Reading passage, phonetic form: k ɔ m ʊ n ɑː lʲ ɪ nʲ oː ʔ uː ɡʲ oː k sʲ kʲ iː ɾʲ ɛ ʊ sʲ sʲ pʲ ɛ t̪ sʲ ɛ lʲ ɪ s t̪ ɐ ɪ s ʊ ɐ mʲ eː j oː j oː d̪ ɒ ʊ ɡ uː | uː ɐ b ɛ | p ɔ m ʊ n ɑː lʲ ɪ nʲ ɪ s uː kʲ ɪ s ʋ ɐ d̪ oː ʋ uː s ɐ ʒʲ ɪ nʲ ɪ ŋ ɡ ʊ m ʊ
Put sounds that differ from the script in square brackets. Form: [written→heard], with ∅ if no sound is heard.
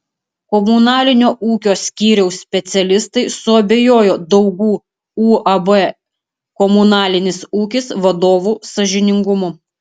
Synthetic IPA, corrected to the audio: k ɔ m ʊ n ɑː lʲ ɪ nʲ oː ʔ uː [ɡʲ→kʲ] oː [k→∅] sʲ kʲ iː ɾʲ ɛ ʊ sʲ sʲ pʲ ɛ t̪ sʲ ɛ lʲ ɪ s t̪ ɐ ɪ s ʊ ɐ [mʲ→bʲ] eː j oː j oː d̪ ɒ ʊ ɡ uː | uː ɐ b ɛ | [p→k] ɔ m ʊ n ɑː lʲ ɪ nʲ ɪ s uː kʲ ɪ s ʋ ɐ d̪ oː ʋ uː s ɐ ʒʲ ɪ nʲ ɪ ŋ ɡ ʊ m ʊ